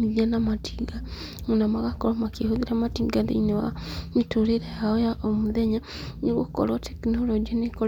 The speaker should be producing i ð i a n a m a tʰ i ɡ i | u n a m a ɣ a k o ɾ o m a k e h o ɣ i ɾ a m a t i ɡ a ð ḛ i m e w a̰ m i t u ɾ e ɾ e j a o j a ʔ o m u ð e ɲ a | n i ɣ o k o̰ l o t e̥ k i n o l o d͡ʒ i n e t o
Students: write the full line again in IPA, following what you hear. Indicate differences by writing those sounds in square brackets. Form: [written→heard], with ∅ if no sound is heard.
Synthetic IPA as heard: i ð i a n a m a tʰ i ɡ [i→a] | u n a m a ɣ a k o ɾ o m a k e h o [ɣ→ð] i ɾ a m a t i ɡ a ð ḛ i [m→n] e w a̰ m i t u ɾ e ɾ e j a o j a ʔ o m u ð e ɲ a | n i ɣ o k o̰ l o t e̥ k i n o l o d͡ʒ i n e [t→k] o